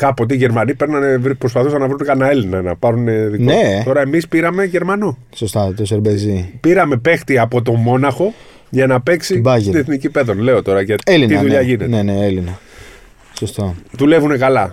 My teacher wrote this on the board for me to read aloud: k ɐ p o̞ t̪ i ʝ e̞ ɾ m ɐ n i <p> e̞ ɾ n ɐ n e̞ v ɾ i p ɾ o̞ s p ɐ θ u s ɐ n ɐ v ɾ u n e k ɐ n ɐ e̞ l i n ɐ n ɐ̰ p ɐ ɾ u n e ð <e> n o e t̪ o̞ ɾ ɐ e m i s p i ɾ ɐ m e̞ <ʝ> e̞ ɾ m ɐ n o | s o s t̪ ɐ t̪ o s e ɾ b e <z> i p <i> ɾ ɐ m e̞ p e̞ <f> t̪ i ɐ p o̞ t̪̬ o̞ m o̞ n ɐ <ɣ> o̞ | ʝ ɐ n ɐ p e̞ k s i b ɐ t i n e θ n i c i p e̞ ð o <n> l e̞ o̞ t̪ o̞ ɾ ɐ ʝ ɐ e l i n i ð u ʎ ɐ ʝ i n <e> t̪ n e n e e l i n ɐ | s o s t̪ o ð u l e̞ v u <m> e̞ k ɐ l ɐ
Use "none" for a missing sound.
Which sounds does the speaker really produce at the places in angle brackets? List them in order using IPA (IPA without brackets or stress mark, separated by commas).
p, i, ʝ, z, i, x, x, n, e, n